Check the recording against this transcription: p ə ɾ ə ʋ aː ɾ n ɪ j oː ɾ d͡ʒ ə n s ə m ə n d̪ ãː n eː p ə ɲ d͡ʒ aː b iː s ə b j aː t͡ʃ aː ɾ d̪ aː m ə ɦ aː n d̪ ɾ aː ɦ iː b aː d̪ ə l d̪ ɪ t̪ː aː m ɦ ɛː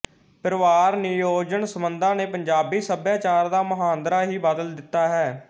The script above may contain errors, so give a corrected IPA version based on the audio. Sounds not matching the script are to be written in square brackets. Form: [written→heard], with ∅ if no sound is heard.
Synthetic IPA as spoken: p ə ɾ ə ʋ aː ɾ n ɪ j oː [ɾ→∅] d͡ʒ ə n s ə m ə n d̪ ãː n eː p ə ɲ d͡ʒ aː b iː s ə b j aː t͡ʃ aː ɾ d̪ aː m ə ɦ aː n d̪ ɾ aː ɦ iː b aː d̪ ə l d̪ ɪ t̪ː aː [m→∅] ɦ ɛː